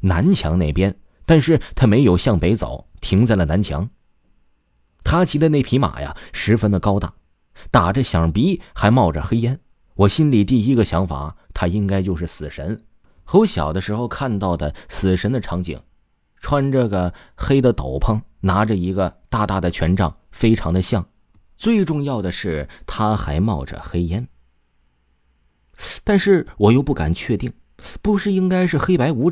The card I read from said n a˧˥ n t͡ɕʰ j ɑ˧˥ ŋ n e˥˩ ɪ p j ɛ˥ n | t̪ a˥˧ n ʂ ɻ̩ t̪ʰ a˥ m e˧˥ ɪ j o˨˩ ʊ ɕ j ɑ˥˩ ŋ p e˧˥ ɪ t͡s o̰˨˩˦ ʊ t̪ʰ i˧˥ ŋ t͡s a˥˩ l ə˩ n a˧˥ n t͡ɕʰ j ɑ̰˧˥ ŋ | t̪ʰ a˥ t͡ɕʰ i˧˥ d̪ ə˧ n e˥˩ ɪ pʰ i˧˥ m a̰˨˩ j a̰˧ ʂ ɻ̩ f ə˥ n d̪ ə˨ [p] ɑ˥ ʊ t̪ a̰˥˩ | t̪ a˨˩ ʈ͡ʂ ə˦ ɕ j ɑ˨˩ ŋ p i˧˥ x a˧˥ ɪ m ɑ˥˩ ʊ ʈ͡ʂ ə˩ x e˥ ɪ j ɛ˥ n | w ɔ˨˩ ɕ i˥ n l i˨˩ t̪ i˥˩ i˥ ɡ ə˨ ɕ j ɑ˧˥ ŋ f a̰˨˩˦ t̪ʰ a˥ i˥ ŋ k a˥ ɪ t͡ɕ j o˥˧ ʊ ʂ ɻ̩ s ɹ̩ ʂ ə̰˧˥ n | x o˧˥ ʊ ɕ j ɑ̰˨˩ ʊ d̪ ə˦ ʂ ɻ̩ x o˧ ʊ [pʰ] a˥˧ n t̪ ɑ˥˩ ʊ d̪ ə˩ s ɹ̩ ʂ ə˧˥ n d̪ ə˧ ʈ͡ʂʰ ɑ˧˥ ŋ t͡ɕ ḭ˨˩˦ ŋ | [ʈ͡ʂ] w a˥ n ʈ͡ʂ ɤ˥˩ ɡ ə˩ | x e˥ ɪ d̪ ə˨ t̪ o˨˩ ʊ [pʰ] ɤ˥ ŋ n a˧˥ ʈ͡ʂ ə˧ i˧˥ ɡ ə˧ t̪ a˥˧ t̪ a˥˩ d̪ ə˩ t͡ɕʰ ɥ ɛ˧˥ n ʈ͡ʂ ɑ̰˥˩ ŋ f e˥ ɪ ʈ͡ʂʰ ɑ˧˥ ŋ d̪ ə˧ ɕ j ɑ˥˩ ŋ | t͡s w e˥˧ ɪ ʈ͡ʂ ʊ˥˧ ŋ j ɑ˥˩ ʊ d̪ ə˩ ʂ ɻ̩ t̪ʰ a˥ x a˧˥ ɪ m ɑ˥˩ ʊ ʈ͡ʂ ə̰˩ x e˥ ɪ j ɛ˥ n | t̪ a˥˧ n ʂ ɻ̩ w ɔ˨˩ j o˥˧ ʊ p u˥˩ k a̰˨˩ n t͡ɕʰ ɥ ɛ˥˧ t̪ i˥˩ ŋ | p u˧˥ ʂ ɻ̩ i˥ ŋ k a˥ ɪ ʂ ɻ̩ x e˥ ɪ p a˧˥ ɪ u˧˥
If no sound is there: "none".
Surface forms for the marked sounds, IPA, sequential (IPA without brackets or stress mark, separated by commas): k, kʰ, ʈ͡ʂʰ, pʰ